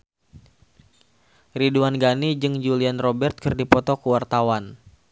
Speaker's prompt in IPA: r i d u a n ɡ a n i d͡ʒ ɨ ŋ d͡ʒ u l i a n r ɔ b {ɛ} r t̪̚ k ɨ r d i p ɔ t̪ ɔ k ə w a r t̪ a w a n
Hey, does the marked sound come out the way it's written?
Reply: yes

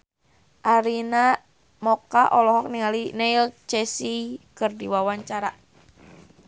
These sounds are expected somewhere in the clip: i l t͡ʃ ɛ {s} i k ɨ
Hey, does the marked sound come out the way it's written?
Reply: yes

